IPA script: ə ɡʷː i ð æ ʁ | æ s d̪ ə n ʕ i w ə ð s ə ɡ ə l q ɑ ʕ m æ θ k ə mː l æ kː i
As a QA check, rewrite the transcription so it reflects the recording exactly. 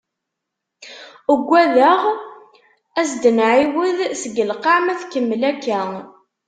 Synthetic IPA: ə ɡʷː æ ð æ ʁ | æ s d̪ ə n ʕ i w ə ð s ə ɡ ə l q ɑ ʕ m æ θ k ə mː l æ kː æ